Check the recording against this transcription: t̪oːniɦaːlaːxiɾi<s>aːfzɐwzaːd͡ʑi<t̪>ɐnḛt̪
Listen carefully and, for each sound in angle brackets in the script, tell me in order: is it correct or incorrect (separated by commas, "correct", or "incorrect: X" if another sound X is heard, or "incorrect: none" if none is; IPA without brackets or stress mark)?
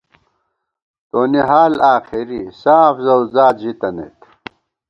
correct, correct